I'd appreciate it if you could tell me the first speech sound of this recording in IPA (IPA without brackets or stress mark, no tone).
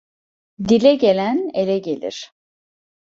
d̪